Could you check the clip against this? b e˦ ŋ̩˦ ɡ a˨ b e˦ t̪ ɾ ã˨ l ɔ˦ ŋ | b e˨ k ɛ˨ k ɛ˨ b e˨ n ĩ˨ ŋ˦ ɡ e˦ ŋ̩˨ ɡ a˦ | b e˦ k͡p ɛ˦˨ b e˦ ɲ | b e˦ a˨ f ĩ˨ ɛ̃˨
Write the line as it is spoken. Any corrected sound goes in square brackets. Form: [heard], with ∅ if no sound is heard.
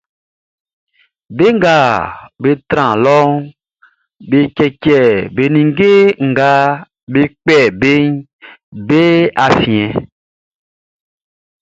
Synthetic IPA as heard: b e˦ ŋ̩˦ ɡ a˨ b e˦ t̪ ɾ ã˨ l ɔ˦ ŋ | b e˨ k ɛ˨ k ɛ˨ b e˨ n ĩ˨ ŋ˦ ɡ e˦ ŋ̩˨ ɡ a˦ | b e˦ k͡p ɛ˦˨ b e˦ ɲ | b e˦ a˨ f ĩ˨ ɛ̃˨